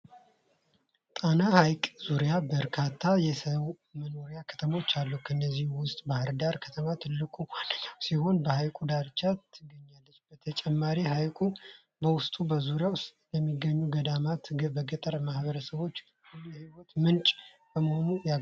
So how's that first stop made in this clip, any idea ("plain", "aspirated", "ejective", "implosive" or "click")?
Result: ejective